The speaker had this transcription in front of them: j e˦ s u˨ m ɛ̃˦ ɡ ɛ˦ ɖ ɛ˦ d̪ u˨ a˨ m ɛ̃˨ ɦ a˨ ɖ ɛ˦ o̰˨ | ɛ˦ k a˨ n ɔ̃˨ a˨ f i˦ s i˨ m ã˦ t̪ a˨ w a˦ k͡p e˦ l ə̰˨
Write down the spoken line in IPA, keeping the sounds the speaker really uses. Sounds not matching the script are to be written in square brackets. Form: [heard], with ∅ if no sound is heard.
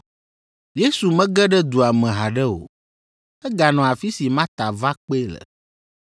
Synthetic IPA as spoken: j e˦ s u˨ m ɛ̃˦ ɡ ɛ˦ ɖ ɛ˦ d̪ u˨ a˨ m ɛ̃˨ ɦ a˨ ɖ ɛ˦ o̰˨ | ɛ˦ [ɡ] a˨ n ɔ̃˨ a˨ f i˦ s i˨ m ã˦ t̪ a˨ [v] a˦ k͡p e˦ l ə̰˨